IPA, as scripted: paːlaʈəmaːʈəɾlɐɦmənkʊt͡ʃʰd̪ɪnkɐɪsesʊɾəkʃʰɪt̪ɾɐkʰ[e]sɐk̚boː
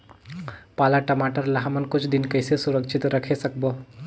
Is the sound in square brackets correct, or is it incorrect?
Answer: correct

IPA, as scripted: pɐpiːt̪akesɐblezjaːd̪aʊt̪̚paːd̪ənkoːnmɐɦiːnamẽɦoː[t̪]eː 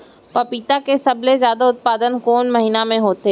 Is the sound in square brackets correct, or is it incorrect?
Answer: correct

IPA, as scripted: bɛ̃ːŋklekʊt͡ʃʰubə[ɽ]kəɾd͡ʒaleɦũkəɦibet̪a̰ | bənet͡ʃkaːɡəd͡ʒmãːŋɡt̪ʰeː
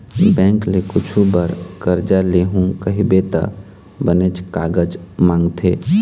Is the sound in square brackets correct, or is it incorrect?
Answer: incorrect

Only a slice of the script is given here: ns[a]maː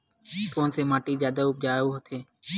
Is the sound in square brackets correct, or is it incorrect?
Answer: incorrect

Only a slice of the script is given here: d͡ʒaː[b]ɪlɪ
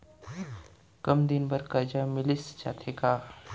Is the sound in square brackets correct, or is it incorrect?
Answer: incorrect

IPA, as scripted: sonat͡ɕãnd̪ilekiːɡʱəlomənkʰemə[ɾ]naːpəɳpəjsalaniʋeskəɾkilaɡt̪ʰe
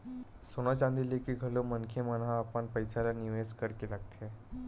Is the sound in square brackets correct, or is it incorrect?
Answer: incorrect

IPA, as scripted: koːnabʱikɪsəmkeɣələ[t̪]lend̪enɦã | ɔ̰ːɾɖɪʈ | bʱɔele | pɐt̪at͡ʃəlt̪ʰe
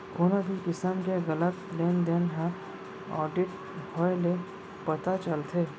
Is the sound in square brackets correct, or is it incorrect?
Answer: correct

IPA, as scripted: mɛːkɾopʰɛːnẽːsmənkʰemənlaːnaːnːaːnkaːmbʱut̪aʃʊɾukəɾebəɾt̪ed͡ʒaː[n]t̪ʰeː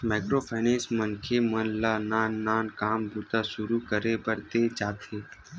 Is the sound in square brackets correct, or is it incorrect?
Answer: incorrect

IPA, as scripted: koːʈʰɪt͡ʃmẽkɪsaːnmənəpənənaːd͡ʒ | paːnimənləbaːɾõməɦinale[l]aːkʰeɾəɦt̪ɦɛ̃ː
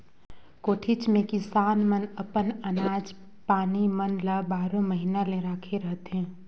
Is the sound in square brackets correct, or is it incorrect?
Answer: incorrect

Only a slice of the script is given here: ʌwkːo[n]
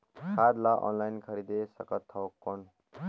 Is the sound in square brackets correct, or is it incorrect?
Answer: correct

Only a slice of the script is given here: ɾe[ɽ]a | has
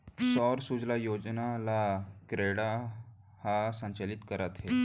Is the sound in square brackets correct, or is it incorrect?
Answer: correct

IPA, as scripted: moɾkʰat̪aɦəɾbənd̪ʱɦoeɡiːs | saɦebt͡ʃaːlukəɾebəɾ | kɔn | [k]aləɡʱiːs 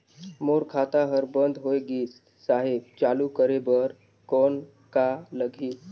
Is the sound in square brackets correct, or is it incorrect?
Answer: correct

